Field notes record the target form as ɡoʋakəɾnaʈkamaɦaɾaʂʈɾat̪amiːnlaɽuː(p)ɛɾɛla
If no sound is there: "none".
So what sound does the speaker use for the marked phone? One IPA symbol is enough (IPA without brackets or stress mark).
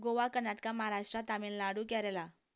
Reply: k